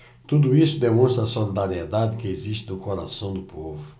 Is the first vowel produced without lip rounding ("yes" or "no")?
no